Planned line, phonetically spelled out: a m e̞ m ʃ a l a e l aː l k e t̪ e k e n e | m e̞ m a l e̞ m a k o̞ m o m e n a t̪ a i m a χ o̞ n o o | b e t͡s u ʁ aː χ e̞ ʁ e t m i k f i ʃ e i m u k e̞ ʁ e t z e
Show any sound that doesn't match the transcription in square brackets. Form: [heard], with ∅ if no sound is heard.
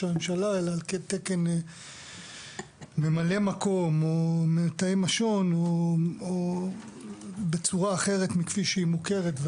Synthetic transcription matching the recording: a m e̞ m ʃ a l a e l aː l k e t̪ e k e n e | m e̞ m a l e̞ m a k o̞ m o m e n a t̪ a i m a [ʃ] o̞ n o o | b e t͡s u ʁ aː χ e̞ ʁ e t m i k f i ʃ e i m u k e̞ ʁ e t [v] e